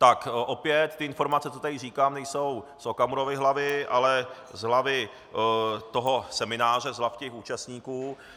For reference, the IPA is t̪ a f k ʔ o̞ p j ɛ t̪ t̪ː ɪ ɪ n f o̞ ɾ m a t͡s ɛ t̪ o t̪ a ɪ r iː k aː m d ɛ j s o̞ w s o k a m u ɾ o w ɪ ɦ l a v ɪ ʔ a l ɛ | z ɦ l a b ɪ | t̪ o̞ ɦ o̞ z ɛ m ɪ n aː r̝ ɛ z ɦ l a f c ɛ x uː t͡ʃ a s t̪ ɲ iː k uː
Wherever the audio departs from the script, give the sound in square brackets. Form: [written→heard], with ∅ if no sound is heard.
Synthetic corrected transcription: t̪ a [f→∅] k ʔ o̞ p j ɛ t̪ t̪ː ɪ ɪ n f o̞ ɾ m a t͡s ɛ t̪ o t̪ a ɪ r iː k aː m [d→n] ɛ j s o̞ w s o k a m u ɾ o [w→v] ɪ ɦ l a v ɪ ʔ a l ɛ | z ɦ l a [b→v] ɪ | t̪ o̞ ɦ o̞ [z→s] ɛ m ɪ n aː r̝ ɛ z ɦ l a f c ɛ x uː t͡ʃ a s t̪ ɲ iː k uː